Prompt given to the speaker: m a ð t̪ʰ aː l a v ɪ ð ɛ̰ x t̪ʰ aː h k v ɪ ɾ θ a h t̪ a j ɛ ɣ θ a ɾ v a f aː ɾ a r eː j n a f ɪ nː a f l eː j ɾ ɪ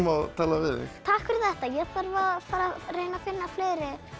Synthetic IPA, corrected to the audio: m a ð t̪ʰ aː l a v ɪ ð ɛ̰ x t̪ʰ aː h k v ɪ ɾ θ ɛ h t̪ a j ɛ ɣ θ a ɾ v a f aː ɾ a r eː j n a f ɪ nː a f l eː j ɾ ɪ